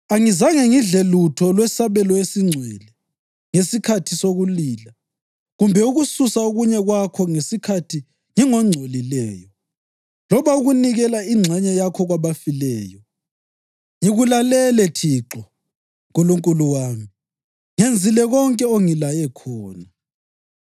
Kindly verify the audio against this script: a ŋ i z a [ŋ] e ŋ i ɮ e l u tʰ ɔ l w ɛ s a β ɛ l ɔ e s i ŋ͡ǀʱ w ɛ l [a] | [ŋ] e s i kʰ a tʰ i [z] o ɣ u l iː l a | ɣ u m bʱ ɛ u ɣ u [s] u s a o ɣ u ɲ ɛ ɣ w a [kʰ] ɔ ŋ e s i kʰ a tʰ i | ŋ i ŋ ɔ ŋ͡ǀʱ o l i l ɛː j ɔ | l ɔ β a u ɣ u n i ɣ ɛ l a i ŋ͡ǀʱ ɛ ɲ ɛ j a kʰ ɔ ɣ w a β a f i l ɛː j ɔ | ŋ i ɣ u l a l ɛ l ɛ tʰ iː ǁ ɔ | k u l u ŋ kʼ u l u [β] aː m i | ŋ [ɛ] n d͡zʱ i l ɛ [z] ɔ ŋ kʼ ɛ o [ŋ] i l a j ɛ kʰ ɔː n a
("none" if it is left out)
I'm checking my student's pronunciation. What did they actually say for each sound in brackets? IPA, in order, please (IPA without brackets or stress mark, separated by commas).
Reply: ŋ, ɛ, ŋ, s, s, kʰ, w, e, ɣ, ŋ